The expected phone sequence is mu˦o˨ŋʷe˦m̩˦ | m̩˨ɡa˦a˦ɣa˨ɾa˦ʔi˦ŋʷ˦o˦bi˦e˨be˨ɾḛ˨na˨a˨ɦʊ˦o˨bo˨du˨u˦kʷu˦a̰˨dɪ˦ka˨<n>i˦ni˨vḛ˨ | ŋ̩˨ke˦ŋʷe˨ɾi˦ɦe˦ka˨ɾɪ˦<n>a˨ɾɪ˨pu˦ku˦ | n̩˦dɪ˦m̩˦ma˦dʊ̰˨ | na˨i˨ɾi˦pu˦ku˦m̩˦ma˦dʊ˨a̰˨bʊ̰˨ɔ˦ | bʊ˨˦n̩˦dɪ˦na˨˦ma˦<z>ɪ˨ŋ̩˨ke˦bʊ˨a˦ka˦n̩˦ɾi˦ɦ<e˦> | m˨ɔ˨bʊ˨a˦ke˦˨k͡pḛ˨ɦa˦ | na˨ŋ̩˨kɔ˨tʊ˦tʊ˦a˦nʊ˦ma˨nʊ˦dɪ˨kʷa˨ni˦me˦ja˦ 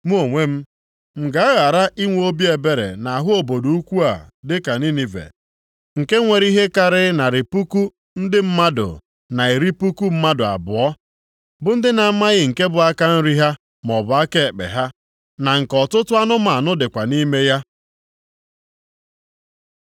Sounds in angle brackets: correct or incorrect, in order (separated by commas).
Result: correct, correct, incorrect, incorrect